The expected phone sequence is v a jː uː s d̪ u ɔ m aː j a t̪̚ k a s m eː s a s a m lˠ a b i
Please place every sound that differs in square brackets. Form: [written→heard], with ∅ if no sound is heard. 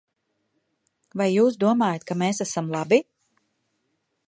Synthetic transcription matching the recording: v a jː uː s d̪ u ɔ m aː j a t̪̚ k a [s→∅] m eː s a s a m lˠ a b i